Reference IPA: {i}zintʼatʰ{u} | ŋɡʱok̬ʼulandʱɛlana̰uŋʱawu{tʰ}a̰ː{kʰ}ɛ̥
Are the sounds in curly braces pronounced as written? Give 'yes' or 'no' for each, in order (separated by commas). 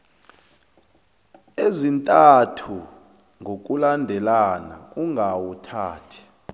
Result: no, yes, yes, no